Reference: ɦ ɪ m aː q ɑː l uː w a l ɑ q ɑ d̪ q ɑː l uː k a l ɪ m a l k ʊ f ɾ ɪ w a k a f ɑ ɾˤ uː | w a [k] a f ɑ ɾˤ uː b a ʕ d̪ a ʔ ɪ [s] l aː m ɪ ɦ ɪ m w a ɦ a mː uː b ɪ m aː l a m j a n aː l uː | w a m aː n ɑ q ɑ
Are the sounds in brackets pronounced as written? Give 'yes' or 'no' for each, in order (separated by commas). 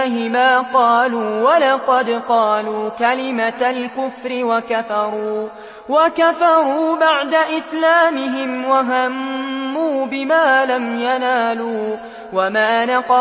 yes, yes